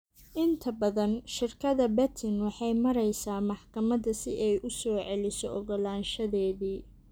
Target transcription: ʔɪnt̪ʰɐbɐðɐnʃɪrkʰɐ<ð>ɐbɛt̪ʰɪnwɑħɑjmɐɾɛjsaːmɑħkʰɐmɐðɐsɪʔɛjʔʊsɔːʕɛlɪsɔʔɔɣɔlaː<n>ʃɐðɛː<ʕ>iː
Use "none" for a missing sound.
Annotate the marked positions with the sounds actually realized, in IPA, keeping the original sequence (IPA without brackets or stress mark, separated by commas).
ð, n, ð